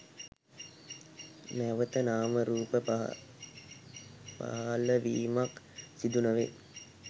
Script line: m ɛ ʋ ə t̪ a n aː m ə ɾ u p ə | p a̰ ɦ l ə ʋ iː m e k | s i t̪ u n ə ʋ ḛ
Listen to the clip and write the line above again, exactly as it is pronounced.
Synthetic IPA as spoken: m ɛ ʋ ə t̪ ə n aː m ə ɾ uː p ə | p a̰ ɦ l ə ʋ iː m a k | s i d̪ u n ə ʋ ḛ